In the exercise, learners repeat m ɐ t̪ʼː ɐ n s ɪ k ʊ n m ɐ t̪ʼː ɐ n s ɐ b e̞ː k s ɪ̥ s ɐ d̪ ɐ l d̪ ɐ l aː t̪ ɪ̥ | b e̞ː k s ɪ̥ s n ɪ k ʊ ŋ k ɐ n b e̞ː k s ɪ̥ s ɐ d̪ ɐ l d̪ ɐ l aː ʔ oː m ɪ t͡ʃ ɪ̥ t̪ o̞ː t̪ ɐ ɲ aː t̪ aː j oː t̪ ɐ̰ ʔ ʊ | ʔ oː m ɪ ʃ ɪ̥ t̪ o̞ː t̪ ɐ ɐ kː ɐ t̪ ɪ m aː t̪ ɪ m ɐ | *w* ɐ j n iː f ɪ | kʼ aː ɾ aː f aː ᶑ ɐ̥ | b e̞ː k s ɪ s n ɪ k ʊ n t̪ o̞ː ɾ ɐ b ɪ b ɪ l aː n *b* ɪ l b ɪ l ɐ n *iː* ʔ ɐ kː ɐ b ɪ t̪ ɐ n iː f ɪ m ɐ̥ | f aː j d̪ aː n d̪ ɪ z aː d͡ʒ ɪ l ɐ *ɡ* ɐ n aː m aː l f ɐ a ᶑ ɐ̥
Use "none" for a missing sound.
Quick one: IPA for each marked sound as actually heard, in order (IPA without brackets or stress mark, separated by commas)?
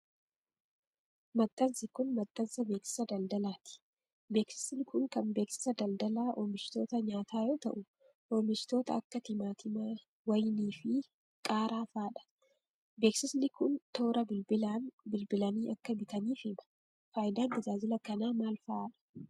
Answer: w, b, iː, k